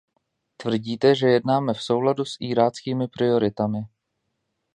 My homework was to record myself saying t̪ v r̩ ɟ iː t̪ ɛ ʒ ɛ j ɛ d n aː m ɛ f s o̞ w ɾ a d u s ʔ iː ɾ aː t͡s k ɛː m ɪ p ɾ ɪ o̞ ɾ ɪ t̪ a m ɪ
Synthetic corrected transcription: t̪ v r̩ ɟ iː t̪ ɛ ʒ ɛ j ɛ d n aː m ɛ f s o̞ w l a d u s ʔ iː ɾ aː t͡s k iː m ɪ p ɾ ɪ o̞ ɾ ɪ t̪ a m ɪ